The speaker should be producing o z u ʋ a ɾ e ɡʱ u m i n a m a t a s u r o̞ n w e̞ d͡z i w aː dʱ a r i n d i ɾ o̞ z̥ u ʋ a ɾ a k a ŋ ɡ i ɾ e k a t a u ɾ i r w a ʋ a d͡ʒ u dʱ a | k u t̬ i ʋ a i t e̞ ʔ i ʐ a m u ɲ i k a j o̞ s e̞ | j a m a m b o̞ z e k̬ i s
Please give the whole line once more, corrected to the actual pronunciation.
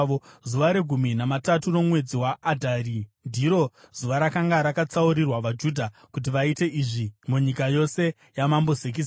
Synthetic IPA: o z u ʋ a ɾ e ɡʱ u m i n a m a t a t u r o̞ m w e̞ d͡z i w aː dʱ a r i n d i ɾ o̞ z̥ u ʋ a ɾ a k a ŋ ɡ a ɾ a k a t͡s a u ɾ i r w a ʋ a d͡ʒ u dʱ a | k u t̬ i ʋ a i t e̞ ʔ i ʐ i m u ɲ i k a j o̞ s e̞ | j a m a m b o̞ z e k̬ i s

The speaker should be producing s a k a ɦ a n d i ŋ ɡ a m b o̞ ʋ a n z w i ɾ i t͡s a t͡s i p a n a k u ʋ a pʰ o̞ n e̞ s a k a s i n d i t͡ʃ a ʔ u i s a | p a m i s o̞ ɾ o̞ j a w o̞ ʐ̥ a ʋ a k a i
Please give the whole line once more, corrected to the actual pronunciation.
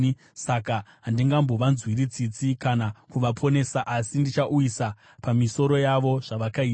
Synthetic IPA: s a k a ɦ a n d i ŋ ɡ a m b o̞ ʋ a n z w i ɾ i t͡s i t͡s i k a n a k u ʋ a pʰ o̞ n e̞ s a ʔ a s i n d i t͡ʃ a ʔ u i s a | p a m i s o̞ ɾ o̞ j a ʋ o̞ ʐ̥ a ʋ a k a i

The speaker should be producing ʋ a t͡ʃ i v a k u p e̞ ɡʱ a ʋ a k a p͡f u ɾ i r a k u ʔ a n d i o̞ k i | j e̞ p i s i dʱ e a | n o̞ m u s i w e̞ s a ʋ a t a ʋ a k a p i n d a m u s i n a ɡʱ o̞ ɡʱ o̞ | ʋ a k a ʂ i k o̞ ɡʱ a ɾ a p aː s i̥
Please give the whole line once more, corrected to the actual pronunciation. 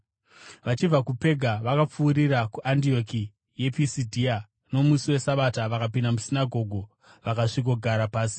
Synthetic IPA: ʋ a t͡ʃ i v a k u p e̞ ɡʱ a ʋ a k a p͡f uː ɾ i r a k u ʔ a n d i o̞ k i | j e̞ p i s i dʱ i a | n o̞ m u s i w e̞ s a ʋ a t a ʋ a k a p i n d a m u s i n a ɡʱ o̞ ɡʱ o̞ | ʋ a k a ʂ i k o̞ ɡʱ a ɾ a p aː s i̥

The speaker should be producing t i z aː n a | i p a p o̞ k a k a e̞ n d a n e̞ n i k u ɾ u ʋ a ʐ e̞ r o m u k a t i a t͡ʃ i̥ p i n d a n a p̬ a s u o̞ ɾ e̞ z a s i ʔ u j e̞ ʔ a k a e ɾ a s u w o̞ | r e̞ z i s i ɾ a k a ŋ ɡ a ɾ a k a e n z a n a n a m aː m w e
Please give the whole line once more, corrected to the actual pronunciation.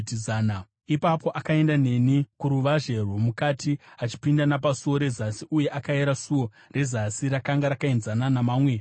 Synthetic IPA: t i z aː n a | i p a p o̞ ʔ a k a e̞ n d a n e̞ n i k u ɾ u ʋ a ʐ e̞ r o m u k a t i a t͡ʃ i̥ p i n d a n a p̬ a s u o̞ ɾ e̞ z a s i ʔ u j e̞ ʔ a k a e ɾ a s u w o̞ | r e̞ z a s i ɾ a k a ŋ ɡ a ɾ a k a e n z a n a n a m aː m w e

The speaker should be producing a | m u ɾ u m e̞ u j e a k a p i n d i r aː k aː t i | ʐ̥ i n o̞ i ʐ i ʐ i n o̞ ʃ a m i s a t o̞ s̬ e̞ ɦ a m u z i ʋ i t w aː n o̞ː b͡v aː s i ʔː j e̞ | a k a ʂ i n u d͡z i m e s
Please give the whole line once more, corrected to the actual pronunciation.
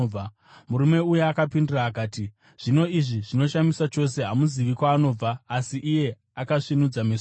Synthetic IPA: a | m u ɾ u m e̞ u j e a k a p i n d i r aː k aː t i | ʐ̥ i n o̞ i ʐ i ʐ i n o̞ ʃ a m i s a t͡ʃ o̞ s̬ e̞ ɦ a m u z i ʋ i k w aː n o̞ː b͡v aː s i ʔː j e̞ | a k a ʂ i n u d͡z a m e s

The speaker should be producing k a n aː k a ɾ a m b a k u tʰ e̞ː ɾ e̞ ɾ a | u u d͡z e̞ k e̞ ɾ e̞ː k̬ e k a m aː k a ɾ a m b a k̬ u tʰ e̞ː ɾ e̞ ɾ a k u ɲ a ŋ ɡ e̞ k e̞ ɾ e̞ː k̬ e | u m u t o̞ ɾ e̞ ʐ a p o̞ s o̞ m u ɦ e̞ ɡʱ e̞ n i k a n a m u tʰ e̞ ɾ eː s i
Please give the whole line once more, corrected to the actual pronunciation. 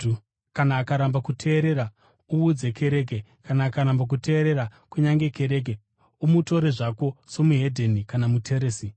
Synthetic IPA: k a n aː k a ɾ a m b a k u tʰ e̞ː ɾ e̞ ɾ a | u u d͡z e̞ k e̞ ɾ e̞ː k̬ e k a n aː k a ɾ a m b a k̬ u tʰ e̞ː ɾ e̞ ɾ a k u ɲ a ŋ ɡ e̞ k e̞ ɾ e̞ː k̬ e | u m u t o̞ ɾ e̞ ʐ a k o̞ s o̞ m u ɦ e̞ dʱ e̞ n i k a n a m u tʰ e̞ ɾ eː s i

